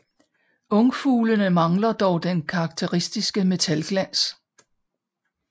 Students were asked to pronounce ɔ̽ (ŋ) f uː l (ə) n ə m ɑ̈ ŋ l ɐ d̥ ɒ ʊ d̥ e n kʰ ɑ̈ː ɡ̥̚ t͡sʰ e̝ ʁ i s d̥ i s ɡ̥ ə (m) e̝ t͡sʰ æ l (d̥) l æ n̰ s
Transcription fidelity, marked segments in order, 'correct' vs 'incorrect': correct, correct, correct, incorrect: ɡ̥

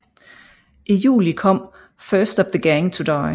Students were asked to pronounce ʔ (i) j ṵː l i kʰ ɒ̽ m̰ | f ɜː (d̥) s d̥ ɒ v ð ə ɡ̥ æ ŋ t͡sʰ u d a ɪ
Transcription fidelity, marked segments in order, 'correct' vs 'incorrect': correct, incorrect: none

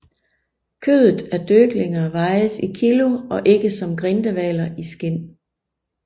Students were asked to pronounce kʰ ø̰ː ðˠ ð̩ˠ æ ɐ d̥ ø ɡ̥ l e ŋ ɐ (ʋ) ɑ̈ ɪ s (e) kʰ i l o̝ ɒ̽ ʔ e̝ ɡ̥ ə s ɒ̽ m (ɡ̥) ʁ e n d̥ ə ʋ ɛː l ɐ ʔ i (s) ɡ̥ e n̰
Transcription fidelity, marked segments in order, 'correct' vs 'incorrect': correct, incorrect: i, correct, correct

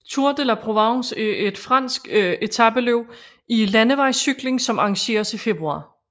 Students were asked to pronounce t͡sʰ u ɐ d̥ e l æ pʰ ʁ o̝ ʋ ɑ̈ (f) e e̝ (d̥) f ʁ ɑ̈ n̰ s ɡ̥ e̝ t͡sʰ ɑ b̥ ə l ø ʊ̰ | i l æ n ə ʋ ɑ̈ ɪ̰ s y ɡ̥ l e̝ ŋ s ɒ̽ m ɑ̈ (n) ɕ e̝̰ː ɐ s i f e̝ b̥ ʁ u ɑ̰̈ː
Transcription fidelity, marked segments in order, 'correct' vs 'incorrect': incorrect: s, correct, incorrect: ŋ

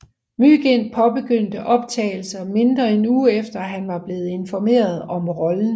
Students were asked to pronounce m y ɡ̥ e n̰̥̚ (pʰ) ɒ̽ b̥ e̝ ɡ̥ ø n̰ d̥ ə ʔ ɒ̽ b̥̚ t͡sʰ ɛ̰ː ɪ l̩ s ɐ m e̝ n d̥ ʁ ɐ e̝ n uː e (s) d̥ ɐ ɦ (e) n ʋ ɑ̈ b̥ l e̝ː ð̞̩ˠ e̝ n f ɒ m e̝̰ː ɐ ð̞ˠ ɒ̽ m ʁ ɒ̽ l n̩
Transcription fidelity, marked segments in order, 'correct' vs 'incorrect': correct, incorrect: f, incorrect: æ

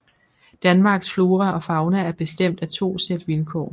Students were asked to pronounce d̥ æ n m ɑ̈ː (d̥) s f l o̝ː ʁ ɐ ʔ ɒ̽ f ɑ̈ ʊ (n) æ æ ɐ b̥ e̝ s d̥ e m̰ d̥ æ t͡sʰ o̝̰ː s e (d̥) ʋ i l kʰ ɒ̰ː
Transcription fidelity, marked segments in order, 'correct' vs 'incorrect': incorrect: ɡ̥, correct, correct

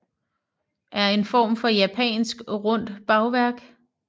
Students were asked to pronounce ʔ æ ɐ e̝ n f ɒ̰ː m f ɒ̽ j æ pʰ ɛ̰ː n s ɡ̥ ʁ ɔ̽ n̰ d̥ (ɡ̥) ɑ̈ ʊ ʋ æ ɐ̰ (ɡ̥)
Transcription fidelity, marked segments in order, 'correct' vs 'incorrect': incorrect: b̥, correct

